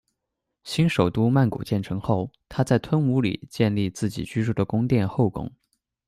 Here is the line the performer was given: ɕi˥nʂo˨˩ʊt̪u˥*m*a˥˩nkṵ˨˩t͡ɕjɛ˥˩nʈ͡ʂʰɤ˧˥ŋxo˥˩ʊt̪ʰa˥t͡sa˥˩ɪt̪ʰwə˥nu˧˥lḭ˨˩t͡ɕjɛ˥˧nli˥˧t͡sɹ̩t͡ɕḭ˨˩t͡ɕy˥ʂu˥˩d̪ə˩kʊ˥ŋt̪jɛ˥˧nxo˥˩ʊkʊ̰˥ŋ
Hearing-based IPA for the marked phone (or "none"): m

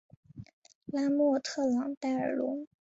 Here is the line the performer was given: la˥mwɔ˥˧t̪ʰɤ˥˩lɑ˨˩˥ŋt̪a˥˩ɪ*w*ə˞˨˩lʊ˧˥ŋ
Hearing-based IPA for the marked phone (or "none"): none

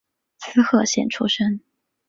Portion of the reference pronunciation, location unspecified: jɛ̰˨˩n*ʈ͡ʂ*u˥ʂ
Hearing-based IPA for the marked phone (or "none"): ʈ͡ʂʰ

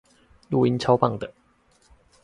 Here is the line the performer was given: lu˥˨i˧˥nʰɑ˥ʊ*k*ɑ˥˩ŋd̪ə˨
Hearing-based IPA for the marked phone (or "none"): p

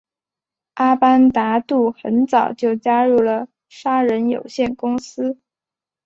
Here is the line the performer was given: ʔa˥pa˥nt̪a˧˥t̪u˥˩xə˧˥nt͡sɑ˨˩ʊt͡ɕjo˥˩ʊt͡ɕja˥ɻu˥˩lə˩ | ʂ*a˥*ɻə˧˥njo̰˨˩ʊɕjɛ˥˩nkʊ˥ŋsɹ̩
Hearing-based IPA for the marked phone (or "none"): a˥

